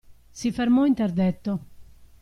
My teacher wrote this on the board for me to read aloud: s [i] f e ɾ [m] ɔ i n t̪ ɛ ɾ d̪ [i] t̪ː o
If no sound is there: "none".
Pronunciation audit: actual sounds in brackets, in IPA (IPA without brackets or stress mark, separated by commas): i, m, ɛ